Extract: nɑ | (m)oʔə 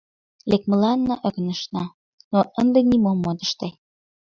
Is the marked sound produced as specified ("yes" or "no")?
no